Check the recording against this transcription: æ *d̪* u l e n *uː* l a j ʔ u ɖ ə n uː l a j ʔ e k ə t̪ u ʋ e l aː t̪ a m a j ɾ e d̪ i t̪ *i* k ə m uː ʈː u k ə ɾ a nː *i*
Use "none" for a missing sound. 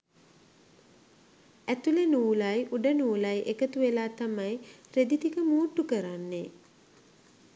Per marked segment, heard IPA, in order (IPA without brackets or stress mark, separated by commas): t̪, uː, i, e